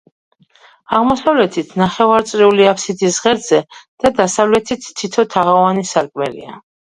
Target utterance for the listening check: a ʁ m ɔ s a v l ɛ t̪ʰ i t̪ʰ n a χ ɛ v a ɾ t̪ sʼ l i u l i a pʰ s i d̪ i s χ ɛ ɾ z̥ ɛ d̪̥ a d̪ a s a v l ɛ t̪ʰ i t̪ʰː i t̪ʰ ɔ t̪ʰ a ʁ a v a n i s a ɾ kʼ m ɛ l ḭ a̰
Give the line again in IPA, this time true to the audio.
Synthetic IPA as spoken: a ʁ m ɔ s a v l ɛ t̪ʰ i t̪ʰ n a χ ɛ v a ɾ t̪ sʼ ɾ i u l i a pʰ s i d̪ i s ʁ ɛ ɾ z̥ ɛ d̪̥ a d̪ a s a v l ɛ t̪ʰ i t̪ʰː i t̪ʰ ɔ t̪ʰ a ʁ a v a n i s a ɾ kʼ m ɛ l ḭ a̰